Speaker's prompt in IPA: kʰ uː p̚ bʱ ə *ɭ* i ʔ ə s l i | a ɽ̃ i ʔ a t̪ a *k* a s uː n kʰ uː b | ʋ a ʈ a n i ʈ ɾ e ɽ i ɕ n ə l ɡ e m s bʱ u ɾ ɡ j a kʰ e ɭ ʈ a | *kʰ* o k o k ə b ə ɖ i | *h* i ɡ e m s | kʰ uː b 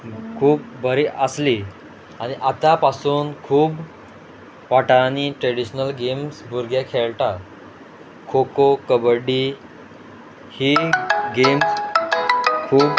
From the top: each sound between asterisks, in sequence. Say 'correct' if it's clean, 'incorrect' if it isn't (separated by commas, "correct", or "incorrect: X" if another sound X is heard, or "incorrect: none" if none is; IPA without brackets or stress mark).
incorrect: ɾ, incorrect: p, correct, correct